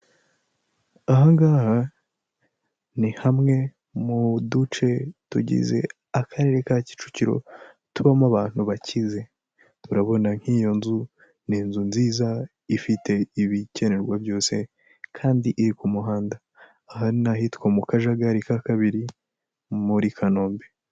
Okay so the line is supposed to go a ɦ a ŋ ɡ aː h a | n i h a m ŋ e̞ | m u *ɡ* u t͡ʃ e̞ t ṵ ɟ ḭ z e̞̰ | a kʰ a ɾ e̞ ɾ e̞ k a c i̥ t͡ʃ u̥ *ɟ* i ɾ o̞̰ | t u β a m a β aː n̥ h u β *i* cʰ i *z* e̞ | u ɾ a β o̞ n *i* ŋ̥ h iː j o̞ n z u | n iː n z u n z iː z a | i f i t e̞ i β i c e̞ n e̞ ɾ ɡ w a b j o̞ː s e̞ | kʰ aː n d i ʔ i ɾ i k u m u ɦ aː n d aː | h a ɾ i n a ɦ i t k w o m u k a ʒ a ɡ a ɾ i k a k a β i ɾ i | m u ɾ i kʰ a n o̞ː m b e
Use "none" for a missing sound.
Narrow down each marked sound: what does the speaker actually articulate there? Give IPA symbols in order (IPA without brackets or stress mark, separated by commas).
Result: d, c, a, z, a